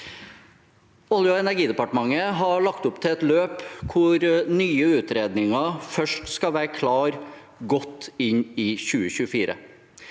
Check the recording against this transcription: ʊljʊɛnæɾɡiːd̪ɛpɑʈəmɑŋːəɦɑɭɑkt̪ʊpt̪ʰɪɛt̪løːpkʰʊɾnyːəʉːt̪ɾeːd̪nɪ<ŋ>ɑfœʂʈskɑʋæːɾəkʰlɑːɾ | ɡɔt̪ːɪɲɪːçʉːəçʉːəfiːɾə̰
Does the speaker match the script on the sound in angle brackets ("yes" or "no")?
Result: yes